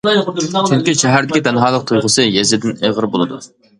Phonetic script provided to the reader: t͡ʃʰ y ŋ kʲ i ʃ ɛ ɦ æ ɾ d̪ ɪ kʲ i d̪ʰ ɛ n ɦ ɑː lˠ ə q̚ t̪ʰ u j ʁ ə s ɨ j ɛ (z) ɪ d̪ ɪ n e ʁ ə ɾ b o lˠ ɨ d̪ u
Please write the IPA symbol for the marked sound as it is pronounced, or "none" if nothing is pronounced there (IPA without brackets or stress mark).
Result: z